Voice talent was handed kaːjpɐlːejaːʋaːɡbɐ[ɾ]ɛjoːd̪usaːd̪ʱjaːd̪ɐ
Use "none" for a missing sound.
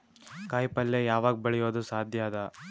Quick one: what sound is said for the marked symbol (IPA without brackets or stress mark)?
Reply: ɭ